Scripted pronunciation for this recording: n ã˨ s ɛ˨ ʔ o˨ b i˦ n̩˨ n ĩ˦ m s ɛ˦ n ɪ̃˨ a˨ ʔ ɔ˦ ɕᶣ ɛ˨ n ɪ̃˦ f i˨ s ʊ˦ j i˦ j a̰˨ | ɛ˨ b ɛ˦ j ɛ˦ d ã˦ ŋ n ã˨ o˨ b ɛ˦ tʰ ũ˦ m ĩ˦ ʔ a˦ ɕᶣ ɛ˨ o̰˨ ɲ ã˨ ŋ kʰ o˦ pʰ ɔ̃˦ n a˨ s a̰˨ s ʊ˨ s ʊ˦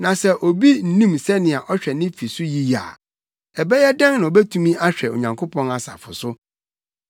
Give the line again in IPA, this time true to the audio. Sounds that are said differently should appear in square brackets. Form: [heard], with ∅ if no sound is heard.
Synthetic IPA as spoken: n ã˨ s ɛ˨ ʔ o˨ b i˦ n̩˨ n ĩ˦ m s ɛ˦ n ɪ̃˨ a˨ ʔ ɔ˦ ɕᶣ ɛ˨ n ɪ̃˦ f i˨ s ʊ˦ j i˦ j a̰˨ | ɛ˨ b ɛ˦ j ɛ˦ d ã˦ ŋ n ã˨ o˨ b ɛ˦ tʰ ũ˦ m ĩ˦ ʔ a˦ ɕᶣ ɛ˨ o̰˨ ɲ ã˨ ŋ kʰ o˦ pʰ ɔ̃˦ n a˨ s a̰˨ [f] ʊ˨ s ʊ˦